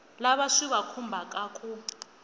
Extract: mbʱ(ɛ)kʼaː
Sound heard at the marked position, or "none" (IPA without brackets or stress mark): a